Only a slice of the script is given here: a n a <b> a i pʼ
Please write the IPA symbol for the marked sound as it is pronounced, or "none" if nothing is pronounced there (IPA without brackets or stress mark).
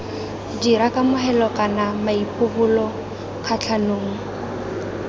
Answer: m